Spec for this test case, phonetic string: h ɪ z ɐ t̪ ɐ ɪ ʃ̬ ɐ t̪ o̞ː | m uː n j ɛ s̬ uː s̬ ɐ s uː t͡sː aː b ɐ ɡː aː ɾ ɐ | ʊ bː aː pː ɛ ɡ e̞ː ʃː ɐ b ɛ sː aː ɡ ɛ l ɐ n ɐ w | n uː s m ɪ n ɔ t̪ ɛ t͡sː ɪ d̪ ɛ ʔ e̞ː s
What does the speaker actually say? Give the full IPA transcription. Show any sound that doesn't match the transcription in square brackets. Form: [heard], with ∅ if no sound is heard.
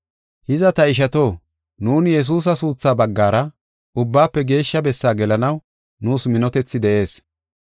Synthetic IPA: h ɪ z ɐ t̪ ɐ ɪ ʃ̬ ɐ t̪ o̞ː | [n] uː n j ɛ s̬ uː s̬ ɐ s uː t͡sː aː b ɐ ɡː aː ɾ ɐ | ʊ bː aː pː ɛ ɡ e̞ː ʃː ɐ b ɛ sː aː ɡ ɛ l ɐ n ɐ w | n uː s m ɪ n ɔ t̪ ɛ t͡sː ɪ d̪ ɛ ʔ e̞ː s